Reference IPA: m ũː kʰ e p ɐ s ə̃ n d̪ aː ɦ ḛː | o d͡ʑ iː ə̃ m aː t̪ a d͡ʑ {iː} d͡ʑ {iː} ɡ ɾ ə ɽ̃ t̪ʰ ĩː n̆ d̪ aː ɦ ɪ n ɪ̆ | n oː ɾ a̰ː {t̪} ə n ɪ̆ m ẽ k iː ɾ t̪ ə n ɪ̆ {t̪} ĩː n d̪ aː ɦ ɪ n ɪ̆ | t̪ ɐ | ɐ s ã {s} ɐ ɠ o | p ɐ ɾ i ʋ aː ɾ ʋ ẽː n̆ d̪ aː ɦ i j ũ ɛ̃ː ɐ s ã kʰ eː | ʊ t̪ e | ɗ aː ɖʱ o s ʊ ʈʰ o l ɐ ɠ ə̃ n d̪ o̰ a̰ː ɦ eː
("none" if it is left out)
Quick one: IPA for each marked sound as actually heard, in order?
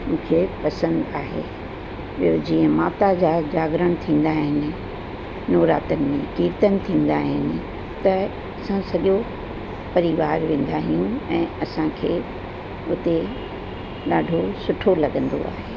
aː, aː, t̪, t̪ʰ, s

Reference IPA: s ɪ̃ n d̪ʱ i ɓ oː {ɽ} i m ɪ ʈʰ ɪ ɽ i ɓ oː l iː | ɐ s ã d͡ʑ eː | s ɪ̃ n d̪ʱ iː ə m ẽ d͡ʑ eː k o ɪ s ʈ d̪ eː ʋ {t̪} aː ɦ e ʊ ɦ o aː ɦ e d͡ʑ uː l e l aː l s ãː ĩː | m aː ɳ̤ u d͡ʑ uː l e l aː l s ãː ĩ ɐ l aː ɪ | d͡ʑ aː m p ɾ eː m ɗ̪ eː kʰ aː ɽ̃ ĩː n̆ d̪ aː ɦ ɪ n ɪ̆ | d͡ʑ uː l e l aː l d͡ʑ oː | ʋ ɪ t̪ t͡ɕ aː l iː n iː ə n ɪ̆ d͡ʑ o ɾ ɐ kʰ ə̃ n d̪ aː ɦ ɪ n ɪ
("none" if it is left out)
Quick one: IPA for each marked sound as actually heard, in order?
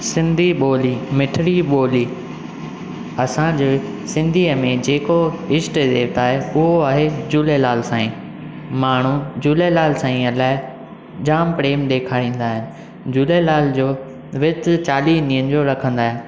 l, t̪

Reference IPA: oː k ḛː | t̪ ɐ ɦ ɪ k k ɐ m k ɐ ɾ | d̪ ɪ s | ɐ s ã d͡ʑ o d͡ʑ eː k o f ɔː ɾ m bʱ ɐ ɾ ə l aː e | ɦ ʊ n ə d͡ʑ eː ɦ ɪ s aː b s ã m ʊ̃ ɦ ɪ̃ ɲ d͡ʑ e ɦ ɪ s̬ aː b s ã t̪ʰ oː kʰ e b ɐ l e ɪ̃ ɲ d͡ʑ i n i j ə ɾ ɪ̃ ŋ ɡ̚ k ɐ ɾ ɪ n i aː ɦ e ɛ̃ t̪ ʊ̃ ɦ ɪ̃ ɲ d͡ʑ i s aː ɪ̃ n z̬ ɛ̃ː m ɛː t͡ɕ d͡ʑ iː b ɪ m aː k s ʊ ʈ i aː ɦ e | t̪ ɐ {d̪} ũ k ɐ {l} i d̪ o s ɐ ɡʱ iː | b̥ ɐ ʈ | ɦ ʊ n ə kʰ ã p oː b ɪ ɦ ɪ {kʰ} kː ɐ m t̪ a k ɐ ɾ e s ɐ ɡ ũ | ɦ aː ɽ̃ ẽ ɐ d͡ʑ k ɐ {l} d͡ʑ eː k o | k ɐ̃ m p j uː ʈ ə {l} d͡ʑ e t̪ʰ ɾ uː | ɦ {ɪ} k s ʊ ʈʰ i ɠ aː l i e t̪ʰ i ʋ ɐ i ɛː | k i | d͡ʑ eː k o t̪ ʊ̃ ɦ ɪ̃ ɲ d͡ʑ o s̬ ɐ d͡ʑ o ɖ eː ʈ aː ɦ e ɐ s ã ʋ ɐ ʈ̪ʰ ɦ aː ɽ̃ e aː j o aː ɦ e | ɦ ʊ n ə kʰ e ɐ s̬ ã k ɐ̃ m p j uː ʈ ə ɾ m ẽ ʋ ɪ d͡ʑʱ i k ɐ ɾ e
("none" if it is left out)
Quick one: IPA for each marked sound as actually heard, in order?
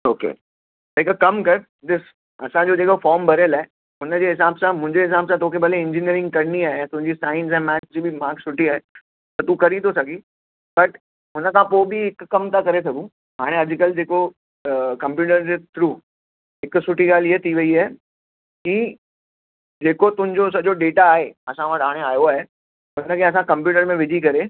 t̪, ɾ, k, l, ɾ, ɪ

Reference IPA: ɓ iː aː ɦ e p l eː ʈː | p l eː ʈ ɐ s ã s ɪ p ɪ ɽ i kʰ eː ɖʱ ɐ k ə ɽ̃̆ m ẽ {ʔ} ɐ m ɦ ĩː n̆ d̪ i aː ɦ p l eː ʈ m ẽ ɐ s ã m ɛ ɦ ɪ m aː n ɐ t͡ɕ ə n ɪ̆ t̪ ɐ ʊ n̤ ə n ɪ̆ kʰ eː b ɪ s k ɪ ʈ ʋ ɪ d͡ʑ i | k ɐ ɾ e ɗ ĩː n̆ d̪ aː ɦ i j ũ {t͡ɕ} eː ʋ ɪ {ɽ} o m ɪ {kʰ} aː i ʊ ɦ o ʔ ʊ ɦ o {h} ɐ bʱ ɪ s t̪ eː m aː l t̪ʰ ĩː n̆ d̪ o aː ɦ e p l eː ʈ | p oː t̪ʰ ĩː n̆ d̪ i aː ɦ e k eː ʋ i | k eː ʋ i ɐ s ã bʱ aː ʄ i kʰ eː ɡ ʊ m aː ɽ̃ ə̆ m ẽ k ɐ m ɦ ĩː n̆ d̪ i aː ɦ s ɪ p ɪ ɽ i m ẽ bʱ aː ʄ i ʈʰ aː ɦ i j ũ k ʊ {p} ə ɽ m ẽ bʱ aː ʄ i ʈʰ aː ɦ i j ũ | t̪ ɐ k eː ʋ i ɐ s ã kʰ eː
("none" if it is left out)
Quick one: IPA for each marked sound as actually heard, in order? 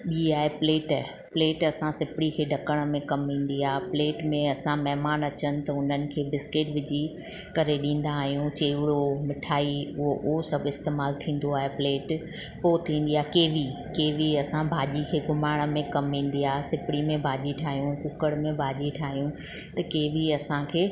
k, t͡ɕ, ɽ, ʈʰ, s, k

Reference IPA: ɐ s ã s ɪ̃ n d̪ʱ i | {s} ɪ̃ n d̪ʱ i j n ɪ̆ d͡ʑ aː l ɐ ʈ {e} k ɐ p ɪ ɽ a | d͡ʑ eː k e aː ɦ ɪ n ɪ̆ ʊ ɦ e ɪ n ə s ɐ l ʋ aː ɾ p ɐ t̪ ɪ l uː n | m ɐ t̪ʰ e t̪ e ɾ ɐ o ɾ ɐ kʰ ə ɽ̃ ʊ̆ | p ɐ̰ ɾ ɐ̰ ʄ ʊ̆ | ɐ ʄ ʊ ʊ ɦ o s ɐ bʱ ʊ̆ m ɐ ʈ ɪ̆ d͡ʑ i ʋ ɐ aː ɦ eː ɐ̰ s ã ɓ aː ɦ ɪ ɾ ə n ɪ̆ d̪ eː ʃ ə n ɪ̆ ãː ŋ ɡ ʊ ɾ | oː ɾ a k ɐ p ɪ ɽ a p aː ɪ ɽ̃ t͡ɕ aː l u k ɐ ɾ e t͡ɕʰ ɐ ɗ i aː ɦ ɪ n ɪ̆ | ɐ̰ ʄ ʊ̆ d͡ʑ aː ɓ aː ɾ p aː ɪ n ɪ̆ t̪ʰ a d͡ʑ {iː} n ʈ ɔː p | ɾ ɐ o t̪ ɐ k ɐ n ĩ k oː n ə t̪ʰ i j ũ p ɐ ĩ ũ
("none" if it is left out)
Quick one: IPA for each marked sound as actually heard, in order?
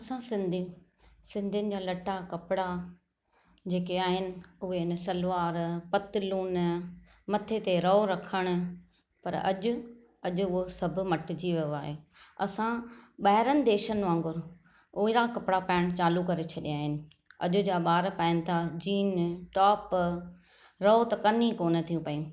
s, a, iː

